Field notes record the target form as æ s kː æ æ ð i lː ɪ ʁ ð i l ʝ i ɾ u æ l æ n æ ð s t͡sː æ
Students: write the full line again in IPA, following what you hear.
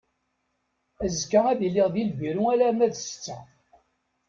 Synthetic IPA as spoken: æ z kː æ æ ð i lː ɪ ʁ ð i l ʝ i ɾ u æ l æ m æ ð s t͡sː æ